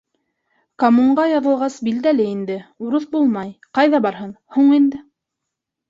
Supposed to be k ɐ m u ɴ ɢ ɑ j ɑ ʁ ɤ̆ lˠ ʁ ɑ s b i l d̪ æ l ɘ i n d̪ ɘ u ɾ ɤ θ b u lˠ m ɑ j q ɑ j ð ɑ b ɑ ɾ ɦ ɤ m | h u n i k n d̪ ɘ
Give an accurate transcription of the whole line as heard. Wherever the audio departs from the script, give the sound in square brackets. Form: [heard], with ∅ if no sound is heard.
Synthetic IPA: k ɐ m u ɴ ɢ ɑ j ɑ [ð] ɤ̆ lˠ ʁ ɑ s b i l d̪ æ l ɘ i n d̪ ɘ u ɾ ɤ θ b u lˠ m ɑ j q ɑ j ð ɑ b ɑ ɾ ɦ ɤ [n] | h u [ɴ] i [∅] n d̪ ɘ